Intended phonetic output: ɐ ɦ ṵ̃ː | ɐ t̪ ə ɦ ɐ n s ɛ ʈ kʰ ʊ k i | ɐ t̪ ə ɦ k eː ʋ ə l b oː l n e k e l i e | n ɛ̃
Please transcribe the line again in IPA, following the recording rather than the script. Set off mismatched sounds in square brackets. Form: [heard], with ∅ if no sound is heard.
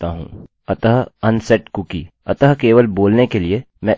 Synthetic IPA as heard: [a] ɦ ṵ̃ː | ɐ t̪ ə ɦ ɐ n s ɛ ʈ [k] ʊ k i | ɐ t̪ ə ɦ k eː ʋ ə l b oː l n e k e l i e | [m] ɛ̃

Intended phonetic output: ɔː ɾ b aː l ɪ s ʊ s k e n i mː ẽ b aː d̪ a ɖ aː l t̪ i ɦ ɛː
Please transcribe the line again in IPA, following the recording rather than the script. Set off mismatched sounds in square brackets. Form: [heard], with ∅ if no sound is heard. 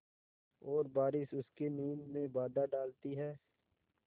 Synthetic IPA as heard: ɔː ɾ b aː [ɾ] ɪ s ʊ s k e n [iː] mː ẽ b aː d̪ a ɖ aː l t̪ i ɦ ɛː

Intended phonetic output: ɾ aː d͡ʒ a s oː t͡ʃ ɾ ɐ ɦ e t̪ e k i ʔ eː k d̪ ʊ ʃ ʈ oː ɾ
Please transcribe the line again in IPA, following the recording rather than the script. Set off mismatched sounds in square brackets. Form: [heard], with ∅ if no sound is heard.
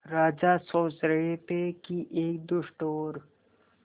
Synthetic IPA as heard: ɾ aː d͡ʒ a s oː t͡ʃ ɾ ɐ ɦ e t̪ e k i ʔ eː k d̪ ʊ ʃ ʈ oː ɾ

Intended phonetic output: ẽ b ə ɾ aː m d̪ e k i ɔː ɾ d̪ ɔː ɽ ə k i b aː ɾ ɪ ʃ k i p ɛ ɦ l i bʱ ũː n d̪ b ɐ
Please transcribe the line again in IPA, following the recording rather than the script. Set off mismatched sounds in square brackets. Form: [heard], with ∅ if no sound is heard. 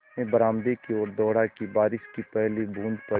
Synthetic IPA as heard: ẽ b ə ɾ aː m d̪ e k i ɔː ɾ d̪ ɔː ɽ [a] k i b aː ɾ ɪ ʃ k i p ɛ ɦ l i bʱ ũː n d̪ [p] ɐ

